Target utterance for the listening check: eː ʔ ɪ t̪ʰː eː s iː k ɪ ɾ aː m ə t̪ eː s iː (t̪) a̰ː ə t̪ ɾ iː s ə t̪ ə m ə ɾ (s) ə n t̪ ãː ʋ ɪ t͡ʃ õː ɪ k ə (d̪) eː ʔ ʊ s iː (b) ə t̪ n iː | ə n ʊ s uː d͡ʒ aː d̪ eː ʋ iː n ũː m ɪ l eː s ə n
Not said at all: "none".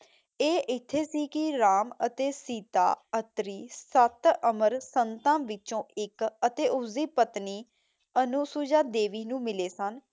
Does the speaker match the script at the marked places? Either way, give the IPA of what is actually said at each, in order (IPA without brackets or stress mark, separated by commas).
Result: t̪, s, t̪, p